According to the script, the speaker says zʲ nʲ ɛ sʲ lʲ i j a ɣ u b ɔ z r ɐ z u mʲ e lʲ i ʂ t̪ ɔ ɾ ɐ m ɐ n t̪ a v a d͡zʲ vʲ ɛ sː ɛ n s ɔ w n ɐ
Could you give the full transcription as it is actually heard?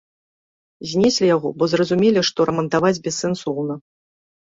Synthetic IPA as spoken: zʲ nʲ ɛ sʲ lʲ i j a ɣ ɔ b ɔ z r ɐ z u mʲ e lʲ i ʂ t̪ ɔ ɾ ɐ m ɐ n t̪ a v a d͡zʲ bʲ ɛ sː ɛ n s ɔ w n ɐ